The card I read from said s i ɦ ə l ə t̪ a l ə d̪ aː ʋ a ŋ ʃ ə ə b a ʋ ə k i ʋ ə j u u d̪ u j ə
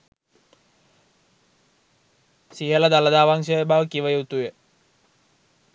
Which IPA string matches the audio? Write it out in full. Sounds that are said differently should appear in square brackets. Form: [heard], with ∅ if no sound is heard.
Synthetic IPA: s i ɦ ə l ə [d̪] a l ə d̪ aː ʋ a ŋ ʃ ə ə b a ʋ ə k i ʋ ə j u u [t̪] u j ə

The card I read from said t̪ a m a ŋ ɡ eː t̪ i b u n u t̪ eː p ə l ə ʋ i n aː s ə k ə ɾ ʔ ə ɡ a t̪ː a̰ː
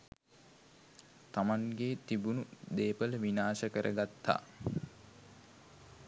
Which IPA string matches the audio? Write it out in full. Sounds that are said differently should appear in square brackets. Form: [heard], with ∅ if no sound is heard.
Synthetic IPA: t̪ a m a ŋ ɡ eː t̪ i b u n u [d̪] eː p ə l ə ʋ i n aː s ə k ə ɾ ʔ ə ɡ a t̪ː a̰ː

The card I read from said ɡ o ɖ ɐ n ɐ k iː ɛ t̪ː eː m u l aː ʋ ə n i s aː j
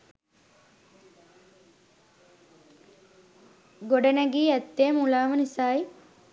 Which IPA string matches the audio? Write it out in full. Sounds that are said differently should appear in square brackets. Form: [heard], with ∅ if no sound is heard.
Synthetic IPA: ɡ o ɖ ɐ n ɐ [ɡ] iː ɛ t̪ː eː m u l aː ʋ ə n i s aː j

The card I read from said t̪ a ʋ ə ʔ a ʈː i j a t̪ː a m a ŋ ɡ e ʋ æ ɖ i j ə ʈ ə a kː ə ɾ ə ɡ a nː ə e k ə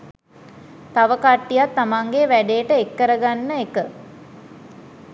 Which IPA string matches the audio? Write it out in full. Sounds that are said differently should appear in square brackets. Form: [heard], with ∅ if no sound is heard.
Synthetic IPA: t̪ a ʋ ə [k] a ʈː i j a t̪ː a m a ŋ ɡ e ʋ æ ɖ [e] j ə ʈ ə [e] kː ə ɾ ə ɡ a nː ə e k ə

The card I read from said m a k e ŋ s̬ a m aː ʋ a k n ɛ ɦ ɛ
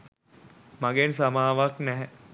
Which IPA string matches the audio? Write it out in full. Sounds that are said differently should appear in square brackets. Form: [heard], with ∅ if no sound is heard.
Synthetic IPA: m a [ɡ] e [n] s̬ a m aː ʋ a k n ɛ ɦ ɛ

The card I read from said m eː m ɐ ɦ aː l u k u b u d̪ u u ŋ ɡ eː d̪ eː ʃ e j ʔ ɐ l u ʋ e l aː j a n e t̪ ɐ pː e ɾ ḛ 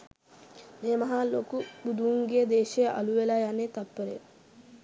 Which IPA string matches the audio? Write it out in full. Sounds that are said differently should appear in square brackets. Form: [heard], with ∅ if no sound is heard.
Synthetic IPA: m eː m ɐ ɦ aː l [o] k u b u d̪ u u ŋ ɡ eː d̪ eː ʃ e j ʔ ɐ l u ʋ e l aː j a n e t̪ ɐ pː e ɾ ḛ

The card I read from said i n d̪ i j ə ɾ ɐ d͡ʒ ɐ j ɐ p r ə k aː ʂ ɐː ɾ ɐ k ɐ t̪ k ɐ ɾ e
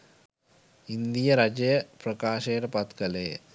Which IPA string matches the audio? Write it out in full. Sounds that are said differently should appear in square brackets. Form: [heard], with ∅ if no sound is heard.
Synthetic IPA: i n d̪ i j [ɐ] ɾ ɐ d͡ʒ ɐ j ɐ p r [ɐ] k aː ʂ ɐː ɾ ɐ [p] ɐ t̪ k ɐ [l] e

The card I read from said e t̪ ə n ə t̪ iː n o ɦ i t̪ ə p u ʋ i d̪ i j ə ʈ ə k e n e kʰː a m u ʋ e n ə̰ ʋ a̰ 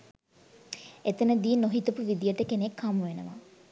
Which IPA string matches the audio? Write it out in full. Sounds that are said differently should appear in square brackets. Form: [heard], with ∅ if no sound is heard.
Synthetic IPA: e t̪ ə n ə [d̪] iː n o ɦ i t̪ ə p u ʋ i d̪ i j ə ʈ ə k e n e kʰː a m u ʋ e n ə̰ ʋ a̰

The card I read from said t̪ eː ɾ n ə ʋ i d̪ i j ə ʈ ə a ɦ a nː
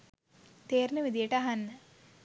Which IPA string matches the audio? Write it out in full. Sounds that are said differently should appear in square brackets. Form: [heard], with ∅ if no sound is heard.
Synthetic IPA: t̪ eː ɾ n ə ʋ i d̪ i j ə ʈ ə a ɦ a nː

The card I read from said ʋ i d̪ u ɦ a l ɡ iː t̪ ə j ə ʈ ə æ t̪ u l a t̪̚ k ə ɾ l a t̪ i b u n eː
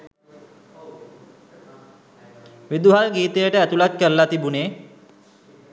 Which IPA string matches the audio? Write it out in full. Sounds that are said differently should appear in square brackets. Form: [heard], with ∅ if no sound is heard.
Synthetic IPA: ʋ i d̪ u ɦ a l ɡ iː t̪ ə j ə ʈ ə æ t̪ u l a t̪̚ k ə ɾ l a t̪ i b u n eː

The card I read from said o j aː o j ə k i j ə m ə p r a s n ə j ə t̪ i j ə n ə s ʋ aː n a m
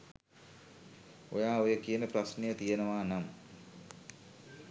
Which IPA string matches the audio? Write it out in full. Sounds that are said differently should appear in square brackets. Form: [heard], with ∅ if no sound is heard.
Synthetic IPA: o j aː o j ə k i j ə [n] ə p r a s n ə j ə t̪ i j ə n ə [∅] ʋ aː n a m

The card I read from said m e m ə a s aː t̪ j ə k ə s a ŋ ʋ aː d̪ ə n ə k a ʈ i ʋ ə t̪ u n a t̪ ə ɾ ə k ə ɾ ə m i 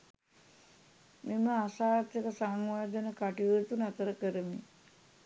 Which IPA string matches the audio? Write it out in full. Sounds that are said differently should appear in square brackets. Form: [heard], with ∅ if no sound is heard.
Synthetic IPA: m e m ə a s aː t̪ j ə k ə s a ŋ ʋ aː d̪ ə n ə k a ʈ i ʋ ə t̪ u n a t̪ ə ɾ ə k ə ɾ ə m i

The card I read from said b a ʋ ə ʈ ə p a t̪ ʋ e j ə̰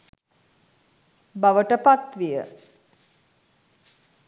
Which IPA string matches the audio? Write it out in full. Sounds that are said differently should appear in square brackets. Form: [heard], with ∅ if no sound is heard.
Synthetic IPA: b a ʋ ə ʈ ə p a t̪ ʋ [i] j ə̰

